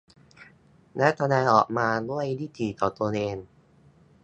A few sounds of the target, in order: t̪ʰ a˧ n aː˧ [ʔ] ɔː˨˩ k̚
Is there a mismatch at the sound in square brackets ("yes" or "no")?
no